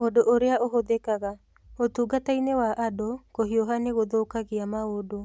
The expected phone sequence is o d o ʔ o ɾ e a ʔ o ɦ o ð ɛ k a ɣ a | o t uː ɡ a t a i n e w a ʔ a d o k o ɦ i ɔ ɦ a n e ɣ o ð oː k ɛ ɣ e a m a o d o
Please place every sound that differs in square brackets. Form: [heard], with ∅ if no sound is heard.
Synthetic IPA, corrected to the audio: o d o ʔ o ɾ e a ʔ o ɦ o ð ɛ k a ɣ a | o t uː ɡ a t a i n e w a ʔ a d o k o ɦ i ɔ ɦ a n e ɣ o ð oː k [a] ɣ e a m a o d o